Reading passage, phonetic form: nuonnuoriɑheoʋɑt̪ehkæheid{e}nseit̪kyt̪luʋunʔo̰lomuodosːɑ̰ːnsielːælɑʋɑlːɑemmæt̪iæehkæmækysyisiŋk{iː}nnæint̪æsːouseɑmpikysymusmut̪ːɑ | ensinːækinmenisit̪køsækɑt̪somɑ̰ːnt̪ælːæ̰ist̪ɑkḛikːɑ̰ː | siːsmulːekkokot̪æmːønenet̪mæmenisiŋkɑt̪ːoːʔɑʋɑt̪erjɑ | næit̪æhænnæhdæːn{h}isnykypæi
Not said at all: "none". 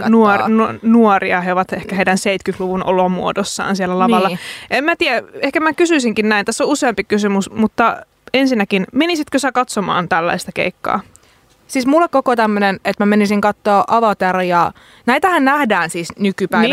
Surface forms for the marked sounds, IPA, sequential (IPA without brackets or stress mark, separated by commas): æ, i, s